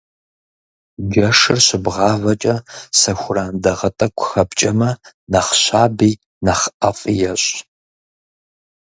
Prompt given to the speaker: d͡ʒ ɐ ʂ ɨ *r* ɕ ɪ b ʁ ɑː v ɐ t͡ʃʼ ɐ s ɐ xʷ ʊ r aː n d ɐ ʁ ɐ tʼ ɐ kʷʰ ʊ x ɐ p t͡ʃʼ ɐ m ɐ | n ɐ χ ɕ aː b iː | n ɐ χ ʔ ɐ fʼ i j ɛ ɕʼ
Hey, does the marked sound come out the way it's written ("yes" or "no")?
yes